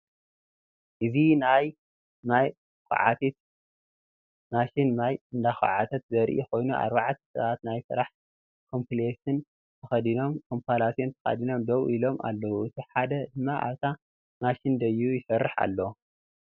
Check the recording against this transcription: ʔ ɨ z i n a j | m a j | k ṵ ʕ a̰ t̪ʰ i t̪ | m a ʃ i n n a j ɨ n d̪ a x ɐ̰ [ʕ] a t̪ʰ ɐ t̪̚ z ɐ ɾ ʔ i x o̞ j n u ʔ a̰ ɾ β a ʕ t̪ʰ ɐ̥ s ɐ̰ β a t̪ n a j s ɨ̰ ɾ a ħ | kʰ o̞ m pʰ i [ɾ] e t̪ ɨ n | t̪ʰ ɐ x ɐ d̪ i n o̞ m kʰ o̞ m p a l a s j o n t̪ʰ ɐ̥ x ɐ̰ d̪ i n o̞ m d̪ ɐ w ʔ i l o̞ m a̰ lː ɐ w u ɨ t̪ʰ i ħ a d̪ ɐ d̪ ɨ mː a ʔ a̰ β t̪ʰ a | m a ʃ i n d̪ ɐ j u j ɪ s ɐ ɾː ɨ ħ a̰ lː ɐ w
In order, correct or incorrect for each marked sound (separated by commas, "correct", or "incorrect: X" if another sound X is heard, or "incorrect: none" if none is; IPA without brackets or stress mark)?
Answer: correct, incorrect: l